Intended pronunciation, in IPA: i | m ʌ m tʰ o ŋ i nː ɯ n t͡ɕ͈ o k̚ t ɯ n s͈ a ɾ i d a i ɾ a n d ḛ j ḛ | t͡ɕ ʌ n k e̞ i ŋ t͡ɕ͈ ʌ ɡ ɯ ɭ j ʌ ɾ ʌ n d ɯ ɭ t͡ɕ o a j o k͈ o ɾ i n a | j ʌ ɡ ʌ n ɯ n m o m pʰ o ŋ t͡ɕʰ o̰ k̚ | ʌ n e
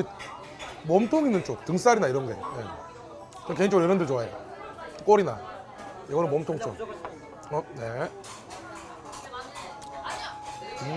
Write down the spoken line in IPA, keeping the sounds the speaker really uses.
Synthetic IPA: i | m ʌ m tʰ o ŋ i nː ɯ n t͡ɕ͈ o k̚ t ɯ ŋ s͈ a ɾ i n a i ɾ ʌ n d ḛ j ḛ | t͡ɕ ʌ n k e̞ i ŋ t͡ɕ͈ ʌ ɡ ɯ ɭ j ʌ ɾ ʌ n d ɯ ɭ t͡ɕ o a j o k͈ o ɾ i n a | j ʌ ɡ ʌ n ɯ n m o m tʰ o ŋ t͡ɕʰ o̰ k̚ | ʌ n e